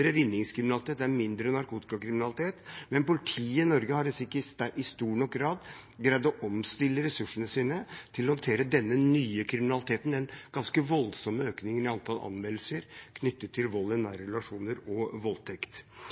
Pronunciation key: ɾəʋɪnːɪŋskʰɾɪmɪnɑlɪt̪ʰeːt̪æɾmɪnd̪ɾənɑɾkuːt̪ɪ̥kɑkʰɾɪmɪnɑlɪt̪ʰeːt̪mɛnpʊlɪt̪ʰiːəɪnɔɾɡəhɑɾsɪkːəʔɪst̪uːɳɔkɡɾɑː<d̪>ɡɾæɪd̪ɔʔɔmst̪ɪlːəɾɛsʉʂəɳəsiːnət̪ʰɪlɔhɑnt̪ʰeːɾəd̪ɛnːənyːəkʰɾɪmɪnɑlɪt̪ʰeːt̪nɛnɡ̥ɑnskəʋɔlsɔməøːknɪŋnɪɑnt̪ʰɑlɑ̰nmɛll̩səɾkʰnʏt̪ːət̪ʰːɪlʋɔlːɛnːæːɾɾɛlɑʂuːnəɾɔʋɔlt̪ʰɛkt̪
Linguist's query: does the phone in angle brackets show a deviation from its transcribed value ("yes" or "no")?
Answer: no